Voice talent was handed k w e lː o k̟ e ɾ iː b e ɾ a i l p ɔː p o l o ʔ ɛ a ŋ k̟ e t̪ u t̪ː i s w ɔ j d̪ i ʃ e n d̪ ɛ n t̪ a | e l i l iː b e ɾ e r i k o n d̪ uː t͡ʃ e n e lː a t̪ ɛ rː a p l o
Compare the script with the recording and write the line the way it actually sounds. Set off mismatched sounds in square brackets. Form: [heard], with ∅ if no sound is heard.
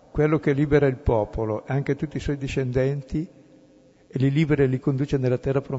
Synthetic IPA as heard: k w e lː o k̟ e [l] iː b e ɾ a i l p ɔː p o l o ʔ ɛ a ŋ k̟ e t̪ u t̪ː i s w ɔ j d̪ i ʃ e n d̪ ɛ n t̪ [i] | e l i l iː b e ɾ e [l] i k o n d̪ uː t͡ʃ e n e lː a t̪ ɛ rː a p [ɾ] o